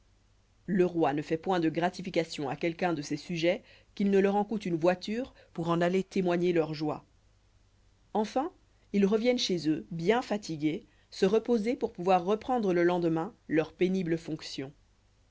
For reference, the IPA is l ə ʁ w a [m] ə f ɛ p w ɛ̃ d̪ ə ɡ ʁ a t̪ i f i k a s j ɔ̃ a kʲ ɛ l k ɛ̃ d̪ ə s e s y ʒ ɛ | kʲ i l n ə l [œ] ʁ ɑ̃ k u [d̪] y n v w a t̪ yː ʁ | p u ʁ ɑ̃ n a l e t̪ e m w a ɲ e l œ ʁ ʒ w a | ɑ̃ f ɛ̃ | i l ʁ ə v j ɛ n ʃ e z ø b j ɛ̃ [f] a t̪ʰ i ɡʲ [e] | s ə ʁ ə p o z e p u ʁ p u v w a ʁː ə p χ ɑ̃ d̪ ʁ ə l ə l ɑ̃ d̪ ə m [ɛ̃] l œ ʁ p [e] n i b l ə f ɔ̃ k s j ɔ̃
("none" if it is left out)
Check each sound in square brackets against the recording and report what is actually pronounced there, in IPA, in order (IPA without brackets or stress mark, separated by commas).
n, œ, t̪, f, e, ɛ̃, e